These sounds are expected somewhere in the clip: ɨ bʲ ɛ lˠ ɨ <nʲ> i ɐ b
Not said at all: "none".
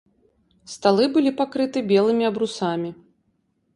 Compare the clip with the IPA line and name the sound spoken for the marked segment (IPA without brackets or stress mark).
mʲ